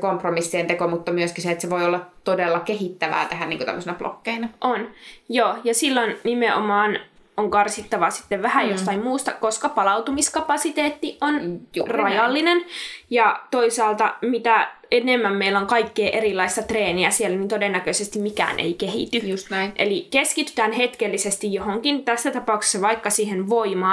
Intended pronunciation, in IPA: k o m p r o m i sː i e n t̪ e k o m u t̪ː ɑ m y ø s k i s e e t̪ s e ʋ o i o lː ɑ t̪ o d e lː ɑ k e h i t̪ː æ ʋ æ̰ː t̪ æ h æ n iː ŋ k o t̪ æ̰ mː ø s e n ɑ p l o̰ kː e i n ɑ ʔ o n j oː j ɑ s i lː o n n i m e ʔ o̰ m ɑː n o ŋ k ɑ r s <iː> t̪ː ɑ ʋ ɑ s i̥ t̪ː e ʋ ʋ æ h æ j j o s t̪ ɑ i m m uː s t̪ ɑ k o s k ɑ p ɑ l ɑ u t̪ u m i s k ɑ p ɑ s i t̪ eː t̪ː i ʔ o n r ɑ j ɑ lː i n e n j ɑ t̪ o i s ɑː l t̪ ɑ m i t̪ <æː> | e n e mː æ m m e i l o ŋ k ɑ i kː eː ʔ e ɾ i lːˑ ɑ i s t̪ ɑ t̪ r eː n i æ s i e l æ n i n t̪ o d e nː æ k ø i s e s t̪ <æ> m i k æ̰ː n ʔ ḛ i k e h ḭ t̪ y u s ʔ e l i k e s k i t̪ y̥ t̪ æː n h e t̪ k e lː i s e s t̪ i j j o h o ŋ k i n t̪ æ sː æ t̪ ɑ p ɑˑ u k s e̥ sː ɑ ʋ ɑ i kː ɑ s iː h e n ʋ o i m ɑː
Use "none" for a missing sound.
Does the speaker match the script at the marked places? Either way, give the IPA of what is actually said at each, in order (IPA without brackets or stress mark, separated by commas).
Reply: i, æ, i